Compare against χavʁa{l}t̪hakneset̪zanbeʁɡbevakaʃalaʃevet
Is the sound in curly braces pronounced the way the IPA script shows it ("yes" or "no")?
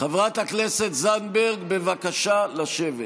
no